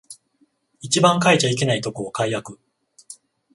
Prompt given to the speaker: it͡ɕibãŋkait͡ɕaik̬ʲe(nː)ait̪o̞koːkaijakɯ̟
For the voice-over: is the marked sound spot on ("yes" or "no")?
no